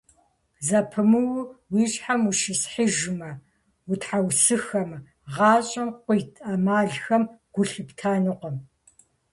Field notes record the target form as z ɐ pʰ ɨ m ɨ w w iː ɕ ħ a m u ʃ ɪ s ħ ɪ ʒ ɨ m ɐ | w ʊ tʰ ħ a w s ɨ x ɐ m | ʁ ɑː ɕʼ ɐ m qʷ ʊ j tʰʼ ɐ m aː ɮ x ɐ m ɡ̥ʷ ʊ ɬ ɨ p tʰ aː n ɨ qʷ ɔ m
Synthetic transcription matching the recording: z ɐ pʰ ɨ m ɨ w w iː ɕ ħ a m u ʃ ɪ s ħ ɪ ʒ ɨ m ɐ | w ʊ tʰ ħ a w s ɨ x ɐ m | ʁ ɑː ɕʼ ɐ m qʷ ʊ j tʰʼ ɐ m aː ɮ x ɐ m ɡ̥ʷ ʊ ɬ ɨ p tʰ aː n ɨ qʷ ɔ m